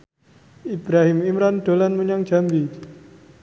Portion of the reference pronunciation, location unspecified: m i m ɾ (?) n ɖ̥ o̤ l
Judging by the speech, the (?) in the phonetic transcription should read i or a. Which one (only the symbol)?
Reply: a